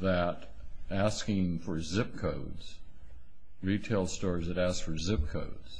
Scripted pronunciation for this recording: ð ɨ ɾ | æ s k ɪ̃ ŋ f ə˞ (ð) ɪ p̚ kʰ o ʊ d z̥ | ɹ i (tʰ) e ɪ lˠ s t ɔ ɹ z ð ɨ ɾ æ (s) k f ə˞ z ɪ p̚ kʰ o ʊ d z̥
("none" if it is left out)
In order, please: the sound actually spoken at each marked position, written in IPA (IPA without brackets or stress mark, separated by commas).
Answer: z, tʰ, s